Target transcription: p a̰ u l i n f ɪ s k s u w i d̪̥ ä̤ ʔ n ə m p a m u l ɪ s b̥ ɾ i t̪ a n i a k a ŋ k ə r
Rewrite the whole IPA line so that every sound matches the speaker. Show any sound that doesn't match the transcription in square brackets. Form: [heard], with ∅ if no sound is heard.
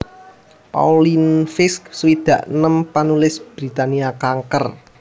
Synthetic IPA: p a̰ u l i n f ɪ s k s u w i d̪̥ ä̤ ʔ n ə m p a [n] u l ɪ s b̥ ɾ i t̪ a n i a k a ŋ k ə r